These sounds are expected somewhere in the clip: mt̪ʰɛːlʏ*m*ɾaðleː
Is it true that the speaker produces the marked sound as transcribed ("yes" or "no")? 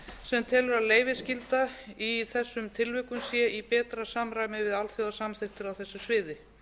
no